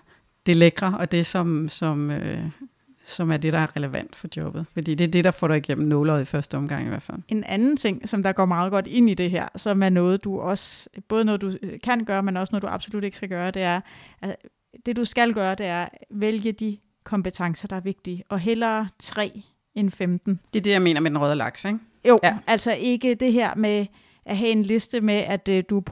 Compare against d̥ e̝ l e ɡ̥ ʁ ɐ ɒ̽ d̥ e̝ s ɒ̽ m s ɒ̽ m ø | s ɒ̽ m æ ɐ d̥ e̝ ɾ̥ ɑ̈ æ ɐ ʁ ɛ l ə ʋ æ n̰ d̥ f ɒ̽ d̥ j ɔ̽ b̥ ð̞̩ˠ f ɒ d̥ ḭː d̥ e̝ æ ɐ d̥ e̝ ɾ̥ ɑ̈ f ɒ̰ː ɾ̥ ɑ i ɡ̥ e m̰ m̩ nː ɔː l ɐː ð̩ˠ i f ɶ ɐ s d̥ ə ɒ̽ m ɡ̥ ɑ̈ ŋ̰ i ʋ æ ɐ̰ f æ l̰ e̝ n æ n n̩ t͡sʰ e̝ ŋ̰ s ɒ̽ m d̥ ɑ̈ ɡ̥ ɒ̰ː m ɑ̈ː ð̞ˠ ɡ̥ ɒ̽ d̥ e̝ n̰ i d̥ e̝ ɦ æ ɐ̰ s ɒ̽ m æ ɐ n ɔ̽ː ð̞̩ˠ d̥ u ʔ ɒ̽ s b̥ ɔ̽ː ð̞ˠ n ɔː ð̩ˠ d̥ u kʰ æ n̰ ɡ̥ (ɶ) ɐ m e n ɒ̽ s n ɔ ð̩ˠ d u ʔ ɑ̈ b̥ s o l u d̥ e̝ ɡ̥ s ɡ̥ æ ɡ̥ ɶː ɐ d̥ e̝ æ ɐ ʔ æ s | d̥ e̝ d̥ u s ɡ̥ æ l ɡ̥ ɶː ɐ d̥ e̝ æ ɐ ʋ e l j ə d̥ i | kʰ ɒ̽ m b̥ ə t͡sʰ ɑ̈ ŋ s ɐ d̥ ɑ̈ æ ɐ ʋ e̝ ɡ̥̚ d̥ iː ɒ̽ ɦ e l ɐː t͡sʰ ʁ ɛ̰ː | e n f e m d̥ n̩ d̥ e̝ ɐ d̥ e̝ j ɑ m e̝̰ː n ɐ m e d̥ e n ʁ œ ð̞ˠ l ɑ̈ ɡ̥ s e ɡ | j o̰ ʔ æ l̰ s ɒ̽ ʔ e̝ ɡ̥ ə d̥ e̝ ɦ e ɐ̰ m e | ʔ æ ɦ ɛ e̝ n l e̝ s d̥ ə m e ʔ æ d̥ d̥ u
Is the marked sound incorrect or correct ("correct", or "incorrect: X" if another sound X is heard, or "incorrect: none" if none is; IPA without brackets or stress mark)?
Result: incorrect: ɶː